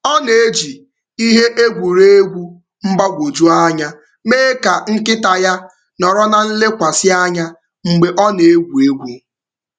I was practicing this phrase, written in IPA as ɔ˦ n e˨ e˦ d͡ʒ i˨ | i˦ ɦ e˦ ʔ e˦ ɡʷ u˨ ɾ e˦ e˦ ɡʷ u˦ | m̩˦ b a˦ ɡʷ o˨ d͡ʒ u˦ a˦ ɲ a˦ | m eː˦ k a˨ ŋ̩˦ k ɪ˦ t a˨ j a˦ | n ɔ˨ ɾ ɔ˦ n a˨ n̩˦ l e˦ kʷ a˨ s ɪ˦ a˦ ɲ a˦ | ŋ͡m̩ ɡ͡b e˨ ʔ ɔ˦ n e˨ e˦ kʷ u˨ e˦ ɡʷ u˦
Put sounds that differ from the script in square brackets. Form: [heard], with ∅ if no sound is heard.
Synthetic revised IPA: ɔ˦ n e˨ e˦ d͡ʒ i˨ | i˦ ɦ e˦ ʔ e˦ ɡʷ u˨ ɾ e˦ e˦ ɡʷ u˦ | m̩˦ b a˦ ɡʷ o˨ d͡ʒ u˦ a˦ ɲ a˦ | m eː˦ k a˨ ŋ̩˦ k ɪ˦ t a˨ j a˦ | n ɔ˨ ɾ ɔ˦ n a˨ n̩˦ l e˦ kʷ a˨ s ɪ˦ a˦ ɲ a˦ | ŋ͡m̩ ɡ͡b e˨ ʔ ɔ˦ n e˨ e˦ [ɡʷ] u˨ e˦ ɡʷ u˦